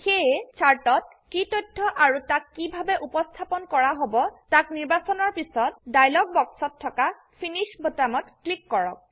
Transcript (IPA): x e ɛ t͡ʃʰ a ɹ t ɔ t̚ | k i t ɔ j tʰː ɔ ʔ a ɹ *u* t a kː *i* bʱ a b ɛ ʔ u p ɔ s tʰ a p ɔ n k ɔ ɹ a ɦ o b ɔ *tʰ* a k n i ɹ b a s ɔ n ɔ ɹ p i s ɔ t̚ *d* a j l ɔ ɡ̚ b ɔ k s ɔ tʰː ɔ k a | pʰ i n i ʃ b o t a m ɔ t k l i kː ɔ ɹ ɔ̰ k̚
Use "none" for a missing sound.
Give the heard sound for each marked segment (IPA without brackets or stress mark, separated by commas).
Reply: u, i, t, d